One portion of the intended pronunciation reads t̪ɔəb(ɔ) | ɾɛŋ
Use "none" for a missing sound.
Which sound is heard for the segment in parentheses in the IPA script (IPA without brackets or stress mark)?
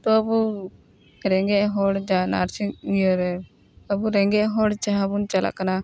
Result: u